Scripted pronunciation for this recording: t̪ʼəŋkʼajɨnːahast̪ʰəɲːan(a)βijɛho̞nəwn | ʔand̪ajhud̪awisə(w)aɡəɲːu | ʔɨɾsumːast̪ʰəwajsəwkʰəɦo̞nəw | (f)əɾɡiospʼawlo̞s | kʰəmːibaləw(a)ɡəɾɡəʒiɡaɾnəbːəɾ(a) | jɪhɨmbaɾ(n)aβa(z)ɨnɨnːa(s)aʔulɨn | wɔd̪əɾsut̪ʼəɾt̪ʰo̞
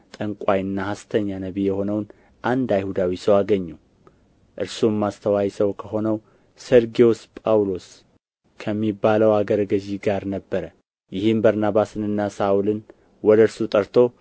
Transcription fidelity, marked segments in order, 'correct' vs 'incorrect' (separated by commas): incorrect, correct, incorrect, correct, incorrect, correct, incorrect, correct